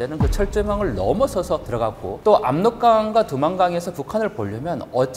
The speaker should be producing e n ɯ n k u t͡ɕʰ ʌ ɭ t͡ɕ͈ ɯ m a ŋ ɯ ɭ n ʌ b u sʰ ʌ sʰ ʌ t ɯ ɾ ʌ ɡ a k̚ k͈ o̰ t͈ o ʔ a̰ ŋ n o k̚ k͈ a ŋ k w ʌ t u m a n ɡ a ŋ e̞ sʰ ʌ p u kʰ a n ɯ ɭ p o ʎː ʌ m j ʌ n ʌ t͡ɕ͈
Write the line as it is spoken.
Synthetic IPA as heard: e n ɯ n k ɯ t͡ɕʰ ʌ ɭ t͡ɕ͈ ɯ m a ŋ ɯ ɭ n ʌ m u sʰ ʌ sʰ ʌ t ɯ ɾ ʌ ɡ a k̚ k͈ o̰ t͈ o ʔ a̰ m n o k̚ k͈ a ŋ ɡ w a t u m a n ɡ a ŋ e̞ sʰ ʌ p u kʰ a n ɯ ɭ p o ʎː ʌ m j ʌ n ʌ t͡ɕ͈